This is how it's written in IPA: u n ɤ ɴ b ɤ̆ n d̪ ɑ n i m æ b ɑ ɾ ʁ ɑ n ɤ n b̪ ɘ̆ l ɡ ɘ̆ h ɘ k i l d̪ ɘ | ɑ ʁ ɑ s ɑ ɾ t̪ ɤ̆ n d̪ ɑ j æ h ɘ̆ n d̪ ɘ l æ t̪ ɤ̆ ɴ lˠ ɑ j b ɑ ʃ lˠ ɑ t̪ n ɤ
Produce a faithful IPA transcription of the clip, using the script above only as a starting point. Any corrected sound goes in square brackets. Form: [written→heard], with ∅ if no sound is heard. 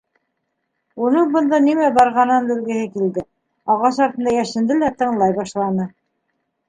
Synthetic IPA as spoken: u n ɤ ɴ b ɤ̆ n d̪ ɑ n i m æ b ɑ ɾ ʁ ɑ n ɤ n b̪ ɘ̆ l ɡ ɘ̆ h ɘ k i l d̪ ɘ | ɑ ʁ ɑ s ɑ ɾ t̪ ɤ̆ n d̪ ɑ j æ [h→ʃ] ɘ̆ n d̪ ɘ l æ t̪ ɤ̆ ɴ lˠ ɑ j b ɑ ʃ lˠ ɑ [t̪→∅] n ɤ